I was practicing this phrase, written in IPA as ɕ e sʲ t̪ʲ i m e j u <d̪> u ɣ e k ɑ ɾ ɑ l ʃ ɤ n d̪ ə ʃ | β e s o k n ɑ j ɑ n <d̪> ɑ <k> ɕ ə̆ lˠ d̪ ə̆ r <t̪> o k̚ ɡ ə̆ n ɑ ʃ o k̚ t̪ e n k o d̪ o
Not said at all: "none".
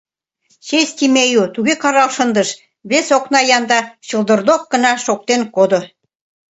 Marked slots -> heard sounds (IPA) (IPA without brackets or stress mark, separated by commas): t̪, d̪, none, d̪